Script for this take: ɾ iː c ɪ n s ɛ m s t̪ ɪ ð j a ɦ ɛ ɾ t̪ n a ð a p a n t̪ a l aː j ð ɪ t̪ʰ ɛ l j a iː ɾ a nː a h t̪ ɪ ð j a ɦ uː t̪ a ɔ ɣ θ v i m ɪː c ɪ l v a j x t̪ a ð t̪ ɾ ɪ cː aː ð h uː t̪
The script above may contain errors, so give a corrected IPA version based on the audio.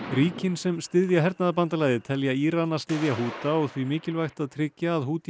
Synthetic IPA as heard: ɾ iː c ɪ n s ɛ m s t̪ ɪ ð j a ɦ ɛ ɾ t̪ n a ð a p a n t̪ a l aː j ð ɪ t̪ʰ ɛ l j a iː ɾ a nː a s t̪ ɪ ð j a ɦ uː t̪ a ɔ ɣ θ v i m ɪː c ɪ l v a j x t̪ a ð t̪ʰ ɾ ɪ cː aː ð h uː t̪